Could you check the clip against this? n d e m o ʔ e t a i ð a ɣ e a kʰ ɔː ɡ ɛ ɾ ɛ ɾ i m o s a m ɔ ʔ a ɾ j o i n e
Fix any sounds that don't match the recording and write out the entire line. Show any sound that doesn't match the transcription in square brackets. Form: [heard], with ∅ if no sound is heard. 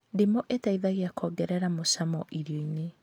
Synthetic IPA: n d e m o ʔ e t a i ð a ɣ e a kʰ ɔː ɡ ɛ ɾ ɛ ɾ [a] m o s a m ɔ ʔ [i] ɾ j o i n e